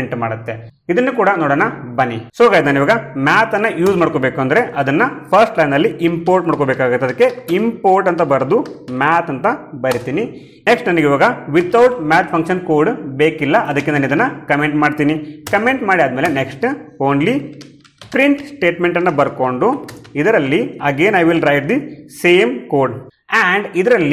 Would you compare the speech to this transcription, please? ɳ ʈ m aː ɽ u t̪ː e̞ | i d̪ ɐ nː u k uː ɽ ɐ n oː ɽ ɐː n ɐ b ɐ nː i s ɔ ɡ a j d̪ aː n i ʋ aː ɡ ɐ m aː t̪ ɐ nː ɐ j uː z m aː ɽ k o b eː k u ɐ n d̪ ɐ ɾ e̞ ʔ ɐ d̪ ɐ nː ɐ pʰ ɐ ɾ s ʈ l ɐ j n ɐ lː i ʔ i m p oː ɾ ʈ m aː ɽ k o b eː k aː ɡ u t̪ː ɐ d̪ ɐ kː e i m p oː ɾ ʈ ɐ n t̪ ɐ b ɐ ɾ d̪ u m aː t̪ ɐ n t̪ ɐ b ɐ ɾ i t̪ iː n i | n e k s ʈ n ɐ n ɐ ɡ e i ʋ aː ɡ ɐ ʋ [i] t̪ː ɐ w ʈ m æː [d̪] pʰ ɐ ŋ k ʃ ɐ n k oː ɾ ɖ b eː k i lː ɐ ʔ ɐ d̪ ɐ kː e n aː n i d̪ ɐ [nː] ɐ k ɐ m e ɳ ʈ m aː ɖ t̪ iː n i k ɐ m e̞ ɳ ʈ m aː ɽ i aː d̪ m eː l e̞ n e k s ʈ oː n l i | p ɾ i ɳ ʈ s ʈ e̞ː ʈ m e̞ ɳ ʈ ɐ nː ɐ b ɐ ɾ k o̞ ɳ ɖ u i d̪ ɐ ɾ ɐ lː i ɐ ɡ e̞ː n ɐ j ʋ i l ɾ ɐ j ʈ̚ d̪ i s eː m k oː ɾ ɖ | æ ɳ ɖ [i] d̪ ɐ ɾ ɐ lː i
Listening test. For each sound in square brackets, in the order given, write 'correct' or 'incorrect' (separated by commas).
correct, incorrect, correct, correct